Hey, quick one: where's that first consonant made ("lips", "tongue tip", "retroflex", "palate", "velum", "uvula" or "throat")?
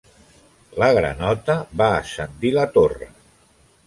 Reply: tongue tip